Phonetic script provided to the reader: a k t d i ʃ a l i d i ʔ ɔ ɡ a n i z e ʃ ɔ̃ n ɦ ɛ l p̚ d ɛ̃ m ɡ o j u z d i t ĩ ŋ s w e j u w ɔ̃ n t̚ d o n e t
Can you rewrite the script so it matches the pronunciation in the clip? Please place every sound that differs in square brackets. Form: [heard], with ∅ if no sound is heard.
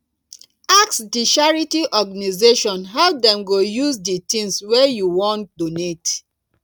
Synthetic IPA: a k [s] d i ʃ a [ɹ] i [t] i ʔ ɔ ɡ a n i z e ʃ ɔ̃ n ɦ ɛ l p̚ d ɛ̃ m ɡ o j u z d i t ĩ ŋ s w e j u w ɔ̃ n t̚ d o n e t